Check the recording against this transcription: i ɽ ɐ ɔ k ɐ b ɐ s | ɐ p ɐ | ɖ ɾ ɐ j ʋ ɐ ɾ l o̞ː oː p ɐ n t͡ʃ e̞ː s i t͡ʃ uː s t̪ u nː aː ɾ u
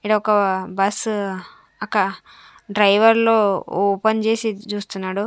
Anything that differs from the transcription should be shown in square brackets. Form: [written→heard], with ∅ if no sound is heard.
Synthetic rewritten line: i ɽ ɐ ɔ k ɐ b ɐ s | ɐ [p→k] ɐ | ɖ ɾ ɐ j ʋ ɐ ɾ l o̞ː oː p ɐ n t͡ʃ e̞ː s i t͡ʃ uː s t̪ u nː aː [ɾ→ɽ] u